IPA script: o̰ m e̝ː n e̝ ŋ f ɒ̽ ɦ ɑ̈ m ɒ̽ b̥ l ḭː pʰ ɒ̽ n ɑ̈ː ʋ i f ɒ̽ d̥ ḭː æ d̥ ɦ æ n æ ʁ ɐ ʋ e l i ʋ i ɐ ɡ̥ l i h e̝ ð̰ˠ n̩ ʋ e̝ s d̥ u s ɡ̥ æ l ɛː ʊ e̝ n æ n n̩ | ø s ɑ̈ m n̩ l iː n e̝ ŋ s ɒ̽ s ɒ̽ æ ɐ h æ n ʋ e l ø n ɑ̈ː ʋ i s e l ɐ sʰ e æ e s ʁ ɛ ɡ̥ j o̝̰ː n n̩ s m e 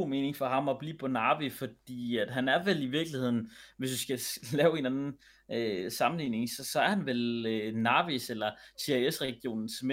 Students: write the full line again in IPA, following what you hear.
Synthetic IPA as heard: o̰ m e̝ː n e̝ ŋ f ɒ̽ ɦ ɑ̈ m ɒ̽ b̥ l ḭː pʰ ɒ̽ n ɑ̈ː ʋ i f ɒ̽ d̥ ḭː æ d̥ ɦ æ n æ ɐ ʋ e l i ʋ i ɐ ɡ̥ l i h e̝ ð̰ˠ n̩ ʋ e̝ s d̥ u s ɡ̥ æ l ɛː ʊ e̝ n æ n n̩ | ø s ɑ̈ m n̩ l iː n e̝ ŋ s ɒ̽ s ɒ̽ æ ɐ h æ n ʋ e l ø n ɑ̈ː ʋ i s e l ɐ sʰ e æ e s ʁ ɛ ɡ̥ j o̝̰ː n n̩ s m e